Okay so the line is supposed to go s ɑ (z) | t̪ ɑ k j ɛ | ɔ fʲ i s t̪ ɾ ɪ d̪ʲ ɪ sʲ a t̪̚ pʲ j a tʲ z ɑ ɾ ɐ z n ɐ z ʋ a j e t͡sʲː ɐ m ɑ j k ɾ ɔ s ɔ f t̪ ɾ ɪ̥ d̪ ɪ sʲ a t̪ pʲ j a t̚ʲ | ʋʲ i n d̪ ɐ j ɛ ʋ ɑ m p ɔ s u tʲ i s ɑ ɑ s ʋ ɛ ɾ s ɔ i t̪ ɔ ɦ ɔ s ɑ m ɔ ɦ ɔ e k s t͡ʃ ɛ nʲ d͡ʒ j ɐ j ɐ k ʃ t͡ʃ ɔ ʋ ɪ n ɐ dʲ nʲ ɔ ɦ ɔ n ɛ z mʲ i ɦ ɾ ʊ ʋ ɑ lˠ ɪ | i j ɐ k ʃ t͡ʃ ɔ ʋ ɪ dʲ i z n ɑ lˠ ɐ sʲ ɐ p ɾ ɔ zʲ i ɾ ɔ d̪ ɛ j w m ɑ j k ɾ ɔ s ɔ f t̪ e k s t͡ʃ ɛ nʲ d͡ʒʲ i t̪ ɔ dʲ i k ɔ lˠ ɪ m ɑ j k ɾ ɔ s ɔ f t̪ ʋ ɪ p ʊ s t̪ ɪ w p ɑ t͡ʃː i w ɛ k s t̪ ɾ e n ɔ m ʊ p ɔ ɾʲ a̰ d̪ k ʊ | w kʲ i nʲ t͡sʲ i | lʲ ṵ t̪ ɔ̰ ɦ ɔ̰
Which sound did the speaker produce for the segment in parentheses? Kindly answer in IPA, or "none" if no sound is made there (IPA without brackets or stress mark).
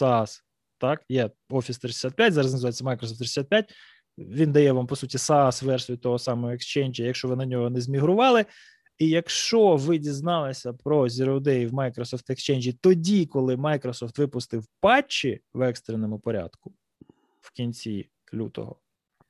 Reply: s